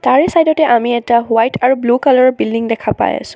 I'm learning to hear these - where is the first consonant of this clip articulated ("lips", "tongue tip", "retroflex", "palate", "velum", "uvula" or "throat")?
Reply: tongue tip